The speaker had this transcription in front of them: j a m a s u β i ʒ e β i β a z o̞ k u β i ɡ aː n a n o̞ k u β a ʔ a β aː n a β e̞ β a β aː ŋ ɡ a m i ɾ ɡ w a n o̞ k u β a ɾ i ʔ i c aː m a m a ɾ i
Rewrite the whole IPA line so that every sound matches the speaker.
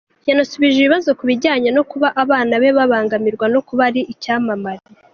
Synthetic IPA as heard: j a n a s u β i ʒ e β i β a z o̞ k u β i ɟ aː ɲ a n o̞ k u β a ʔ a β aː n a β e̞ β a β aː ŋ ɡ a m i ɾ ɡ w a n o̞ k u β a ɾ i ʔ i c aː m a m a ɾ i

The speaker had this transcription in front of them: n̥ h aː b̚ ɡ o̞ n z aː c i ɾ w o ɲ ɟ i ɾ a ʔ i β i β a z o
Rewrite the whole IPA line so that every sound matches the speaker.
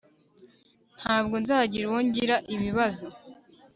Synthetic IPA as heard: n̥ h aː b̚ ɡ o̞ n z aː ɟ i ɾ w o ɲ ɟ i ɾ a ʔ i β i β a z o

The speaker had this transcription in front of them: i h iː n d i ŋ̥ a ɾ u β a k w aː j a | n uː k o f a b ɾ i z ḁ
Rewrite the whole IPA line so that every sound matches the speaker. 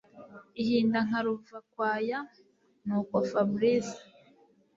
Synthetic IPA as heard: i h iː n d a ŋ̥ a ɾ u v a k w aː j a | n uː k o f a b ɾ i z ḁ

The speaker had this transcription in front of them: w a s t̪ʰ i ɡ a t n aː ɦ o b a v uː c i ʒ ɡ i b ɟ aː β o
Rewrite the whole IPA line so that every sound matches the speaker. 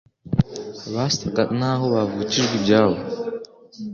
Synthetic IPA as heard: β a s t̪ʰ a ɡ a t n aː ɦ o β a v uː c i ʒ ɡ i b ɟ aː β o

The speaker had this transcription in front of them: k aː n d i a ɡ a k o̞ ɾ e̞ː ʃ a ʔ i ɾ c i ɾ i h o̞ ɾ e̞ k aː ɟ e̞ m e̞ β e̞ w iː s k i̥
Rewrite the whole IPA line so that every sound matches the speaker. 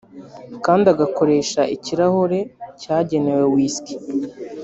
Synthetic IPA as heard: k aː n d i a ɡ a k o̞ ɾ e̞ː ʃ a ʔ i c i ɾ a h o̞ ɾ e̞ c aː ɟ e̞ n e̞ w e̞ w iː s k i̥

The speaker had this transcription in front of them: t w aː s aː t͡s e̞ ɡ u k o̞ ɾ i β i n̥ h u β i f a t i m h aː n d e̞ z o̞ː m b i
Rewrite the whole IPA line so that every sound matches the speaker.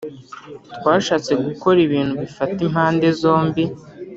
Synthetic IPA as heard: t w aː ʃ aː t͡s e̞ ɡ u k o̞ ɾ i β iː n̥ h u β i f a t i m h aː n d e̞ z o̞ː m b i

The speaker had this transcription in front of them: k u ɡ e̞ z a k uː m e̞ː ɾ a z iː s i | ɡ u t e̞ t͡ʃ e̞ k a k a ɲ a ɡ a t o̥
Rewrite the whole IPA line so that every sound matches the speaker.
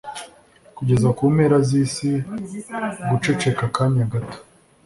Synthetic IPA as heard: k u ɟ e̞ z a k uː m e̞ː ɾ a z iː s i | ɡ u t͡ʃ e̞ t͡ʃ e̞ k a k a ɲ a ɡ a t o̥

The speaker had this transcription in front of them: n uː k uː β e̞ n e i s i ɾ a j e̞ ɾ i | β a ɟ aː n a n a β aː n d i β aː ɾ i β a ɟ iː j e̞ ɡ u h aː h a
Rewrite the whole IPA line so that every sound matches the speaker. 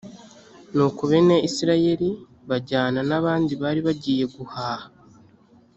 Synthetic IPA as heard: n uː k u β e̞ n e i s i ɾ a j e̞ ɾ i | β a ɟ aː n a n a β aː n d i β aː ɾ i β a ɟ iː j e̞ ɡ u h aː h a

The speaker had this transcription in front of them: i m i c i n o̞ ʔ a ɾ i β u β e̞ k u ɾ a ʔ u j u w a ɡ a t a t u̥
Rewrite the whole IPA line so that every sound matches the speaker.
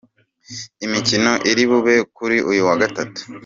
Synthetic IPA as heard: i m i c i n o̞ ʔ i ɾ i β u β e̞ k u ɾ i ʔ u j u w a ɡ a t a t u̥

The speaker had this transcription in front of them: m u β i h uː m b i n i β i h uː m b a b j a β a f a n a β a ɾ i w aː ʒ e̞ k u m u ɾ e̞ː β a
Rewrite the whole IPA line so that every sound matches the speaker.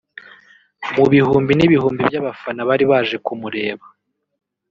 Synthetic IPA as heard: m u β i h uː m b i n i β i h uː m b i b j a β a f a n a β a ɾ i β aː ʒ e̞ k u m u ɾ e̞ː β a

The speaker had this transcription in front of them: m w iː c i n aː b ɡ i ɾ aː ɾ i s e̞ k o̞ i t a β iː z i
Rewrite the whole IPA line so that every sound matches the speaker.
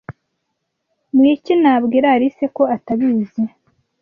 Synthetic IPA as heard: m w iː c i n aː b ɡ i ɾ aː ɾ i s e̞ k o̞ a t a β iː z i

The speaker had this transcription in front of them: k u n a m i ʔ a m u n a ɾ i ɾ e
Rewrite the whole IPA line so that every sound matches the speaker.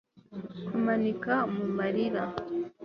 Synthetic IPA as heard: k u m a n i k a m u m a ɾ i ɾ a

